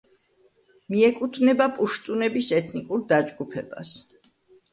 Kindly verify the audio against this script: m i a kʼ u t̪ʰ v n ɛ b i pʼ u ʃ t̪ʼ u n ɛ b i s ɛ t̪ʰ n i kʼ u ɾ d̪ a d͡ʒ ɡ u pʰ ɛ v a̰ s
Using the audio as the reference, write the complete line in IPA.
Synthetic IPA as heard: m i ɛ kʼ u t̪ʰ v n ɛ b a pʼ u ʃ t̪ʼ u n ɛ b i s ɛ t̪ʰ n i kʼ u ɾ d̪ a d͡ʒ ɡ u pʰ ɛ b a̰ s